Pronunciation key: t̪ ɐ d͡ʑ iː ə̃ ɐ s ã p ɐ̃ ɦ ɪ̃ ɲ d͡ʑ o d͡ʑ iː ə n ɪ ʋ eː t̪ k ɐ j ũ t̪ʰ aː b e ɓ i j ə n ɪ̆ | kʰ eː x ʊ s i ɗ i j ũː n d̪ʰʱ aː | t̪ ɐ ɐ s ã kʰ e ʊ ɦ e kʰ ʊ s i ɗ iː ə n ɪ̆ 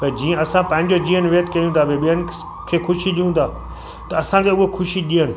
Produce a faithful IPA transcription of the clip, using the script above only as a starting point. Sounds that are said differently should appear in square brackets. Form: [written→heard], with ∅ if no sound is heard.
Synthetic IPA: t̪ ɐ d͡ʑ iː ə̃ ɐ s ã p ɐ̃ ɦ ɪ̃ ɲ d͡ʑ o d͡ʑ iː ə n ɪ ʋ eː t̪ k ɐ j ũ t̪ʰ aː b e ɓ i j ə n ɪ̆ | kʰ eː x ʊ [s→ʃ] i ɗ i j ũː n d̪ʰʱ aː | t̪ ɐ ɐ s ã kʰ e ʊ ɦ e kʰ ʊ [s→ʃ] i ɗ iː ə n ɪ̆